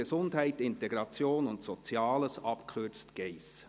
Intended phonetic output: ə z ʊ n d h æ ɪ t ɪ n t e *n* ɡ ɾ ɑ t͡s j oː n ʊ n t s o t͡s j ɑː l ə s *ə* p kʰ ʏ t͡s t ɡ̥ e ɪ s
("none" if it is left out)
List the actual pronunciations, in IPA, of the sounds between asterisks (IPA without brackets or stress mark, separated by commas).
none, ɑ